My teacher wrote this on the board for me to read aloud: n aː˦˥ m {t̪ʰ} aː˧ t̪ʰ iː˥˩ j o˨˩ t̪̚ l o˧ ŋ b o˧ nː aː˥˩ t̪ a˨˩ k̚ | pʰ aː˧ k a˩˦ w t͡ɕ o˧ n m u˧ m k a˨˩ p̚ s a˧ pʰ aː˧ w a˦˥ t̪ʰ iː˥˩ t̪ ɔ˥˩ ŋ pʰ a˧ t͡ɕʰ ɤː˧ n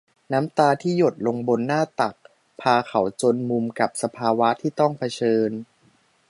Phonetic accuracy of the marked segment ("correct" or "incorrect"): incorrect